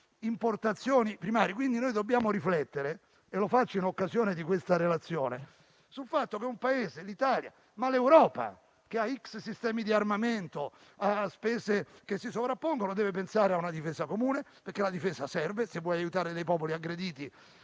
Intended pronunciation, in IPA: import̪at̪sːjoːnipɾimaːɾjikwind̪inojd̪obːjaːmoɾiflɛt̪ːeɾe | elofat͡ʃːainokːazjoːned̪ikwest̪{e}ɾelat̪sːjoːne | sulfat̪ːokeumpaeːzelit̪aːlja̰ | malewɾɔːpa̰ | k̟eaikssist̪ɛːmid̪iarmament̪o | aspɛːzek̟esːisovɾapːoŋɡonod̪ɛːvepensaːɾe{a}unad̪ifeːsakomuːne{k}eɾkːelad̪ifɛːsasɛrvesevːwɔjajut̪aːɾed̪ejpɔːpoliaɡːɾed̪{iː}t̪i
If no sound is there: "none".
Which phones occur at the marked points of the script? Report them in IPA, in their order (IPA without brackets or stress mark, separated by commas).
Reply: a, a, p, iː